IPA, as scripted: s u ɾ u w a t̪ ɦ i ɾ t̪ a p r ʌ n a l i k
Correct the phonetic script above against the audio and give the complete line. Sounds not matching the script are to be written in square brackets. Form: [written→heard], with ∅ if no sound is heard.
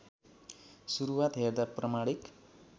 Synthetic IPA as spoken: s u ɾ u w a t̪ ɦ [i→e] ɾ [t̪→d̪] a p r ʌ [n→m] a [l→ɽ] i k